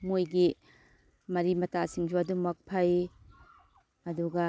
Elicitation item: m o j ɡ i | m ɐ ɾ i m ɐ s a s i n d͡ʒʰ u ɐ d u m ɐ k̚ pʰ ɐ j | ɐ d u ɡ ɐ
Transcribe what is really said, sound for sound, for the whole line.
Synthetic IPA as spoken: m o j ɡ i | m ɐ ɾ i m ɐ t a s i ŋ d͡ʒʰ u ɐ d u m ɐ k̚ pʰ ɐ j | ɐ d u ɡ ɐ